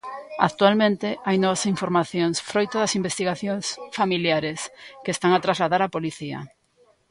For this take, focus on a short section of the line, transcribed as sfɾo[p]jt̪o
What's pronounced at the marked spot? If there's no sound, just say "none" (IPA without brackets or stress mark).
none